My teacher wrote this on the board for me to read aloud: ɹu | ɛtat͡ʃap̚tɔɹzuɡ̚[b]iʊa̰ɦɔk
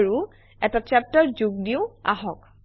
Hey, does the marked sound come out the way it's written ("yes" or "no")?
no